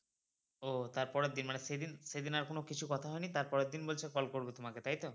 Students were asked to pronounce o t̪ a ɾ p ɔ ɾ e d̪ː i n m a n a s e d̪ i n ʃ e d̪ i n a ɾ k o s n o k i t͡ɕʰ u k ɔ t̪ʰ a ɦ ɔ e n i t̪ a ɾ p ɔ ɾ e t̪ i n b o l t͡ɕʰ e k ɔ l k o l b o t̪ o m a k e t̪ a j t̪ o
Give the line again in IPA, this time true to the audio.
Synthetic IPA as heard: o t̪ a ɾ p ɔ ɾ e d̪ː i n m a n e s e d̪ i n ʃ e d̪ i n a ɾ k o n o k i t͡ɕʰ u k ɔ t̪ʰ a ɦ ɔ e n i t̪ a ɾ p ɔ ɾ e d̪ i n b o l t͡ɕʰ e k ɔ l k o ɾ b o t̪ o m a k e t̪ a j t̪ o